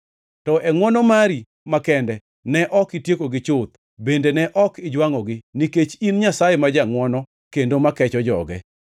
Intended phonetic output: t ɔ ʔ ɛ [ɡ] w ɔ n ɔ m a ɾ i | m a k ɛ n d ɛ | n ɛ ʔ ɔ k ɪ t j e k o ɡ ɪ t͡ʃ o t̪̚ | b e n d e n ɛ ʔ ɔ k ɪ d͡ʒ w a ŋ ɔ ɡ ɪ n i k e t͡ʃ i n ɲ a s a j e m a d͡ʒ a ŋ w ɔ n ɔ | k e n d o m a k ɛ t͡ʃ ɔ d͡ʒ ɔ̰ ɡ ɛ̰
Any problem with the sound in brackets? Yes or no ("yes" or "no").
yes